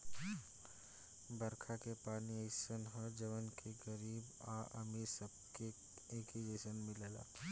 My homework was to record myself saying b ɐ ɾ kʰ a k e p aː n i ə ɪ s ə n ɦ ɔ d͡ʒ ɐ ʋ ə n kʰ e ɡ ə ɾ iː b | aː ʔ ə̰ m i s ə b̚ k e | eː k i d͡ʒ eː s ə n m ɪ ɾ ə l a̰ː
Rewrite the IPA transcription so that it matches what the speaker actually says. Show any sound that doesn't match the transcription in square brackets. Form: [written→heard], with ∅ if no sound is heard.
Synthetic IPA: b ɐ ɾ kʰ a k e p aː n i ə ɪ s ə n ɦ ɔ d͡ʒ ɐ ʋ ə n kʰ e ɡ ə ɾ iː b | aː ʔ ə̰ m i s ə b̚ k e | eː k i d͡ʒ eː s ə n m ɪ [ɾ→l] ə l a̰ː